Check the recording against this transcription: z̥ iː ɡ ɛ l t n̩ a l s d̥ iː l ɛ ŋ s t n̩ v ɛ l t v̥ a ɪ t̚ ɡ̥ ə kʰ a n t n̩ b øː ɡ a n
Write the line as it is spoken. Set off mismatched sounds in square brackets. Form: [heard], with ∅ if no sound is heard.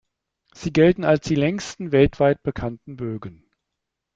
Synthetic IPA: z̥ iː ɡ ɛ l t n̩ a l s d̥ iː l ɛ ŋ s t n̩ v ɛ l t v̥ a ɪ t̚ [b̥] ə kʰ a n t n̩ b øː ɡ [ə] n